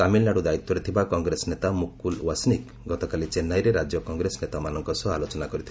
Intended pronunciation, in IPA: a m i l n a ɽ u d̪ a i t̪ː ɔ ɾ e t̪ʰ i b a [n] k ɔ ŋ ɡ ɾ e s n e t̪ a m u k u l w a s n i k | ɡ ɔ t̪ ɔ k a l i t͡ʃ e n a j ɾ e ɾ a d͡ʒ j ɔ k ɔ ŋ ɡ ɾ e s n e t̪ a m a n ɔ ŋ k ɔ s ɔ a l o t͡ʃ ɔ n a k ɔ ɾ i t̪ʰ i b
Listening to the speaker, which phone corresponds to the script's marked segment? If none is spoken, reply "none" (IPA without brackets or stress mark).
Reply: none